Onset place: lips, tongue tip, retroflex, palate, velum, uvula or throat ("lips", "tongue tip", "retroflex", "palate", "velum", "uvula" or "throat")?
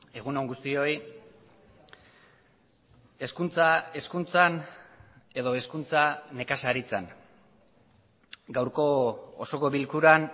velum